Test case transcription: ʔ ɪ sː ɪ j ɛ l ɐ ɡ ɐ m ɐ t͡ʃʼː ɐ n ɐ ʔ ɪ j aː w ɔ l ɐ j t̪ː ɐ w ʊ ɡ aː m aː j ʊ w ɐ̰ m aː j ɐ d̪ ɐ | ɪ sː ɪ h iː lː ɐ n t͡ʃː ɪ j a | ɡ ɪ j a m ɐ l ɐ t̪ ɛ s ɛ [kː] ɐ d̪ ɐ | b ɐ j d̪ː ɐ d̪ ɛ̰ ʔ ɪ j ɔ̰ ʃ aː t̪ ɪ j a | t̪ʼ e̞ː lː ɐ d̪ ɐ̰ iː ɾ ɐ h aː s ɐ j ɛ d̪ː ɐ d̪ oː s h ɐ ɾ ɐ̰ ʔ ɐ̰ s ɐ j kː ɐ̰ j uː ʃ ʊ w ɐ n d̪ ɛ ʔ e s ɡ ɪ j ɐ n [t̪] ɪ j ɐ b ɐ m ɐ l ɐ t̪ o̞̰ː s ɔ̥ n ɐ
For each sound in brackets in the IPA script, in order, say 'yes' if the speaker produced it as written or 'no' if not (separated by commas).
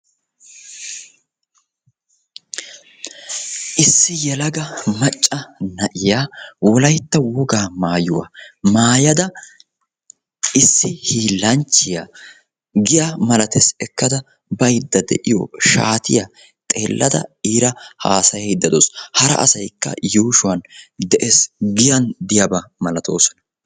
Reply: yes, no